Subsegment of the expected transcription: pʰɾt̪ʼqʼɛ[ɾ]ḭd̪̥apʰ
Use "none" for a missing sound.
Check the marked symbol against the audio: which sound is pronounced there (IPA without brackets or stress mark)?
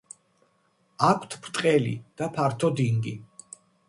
l